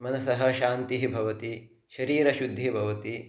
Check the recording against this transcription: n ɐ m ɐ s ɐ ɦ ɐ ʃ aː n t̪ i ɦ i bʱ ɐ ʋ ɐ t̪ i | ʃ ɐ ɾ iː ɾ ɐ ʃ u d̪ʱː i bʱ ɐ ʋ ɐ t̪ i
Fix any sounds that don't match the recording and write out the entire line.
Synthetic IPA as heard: m ɐ n ɐ s ɐ ɦ ɐ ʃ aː n t̪ i ɦ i bʱ ɐ ʋ ɐ t̪ i | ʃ ɐ ɾ iː ɾ ɐ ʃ u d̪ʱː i bʱ ɐ ʋ ɐ t̪ i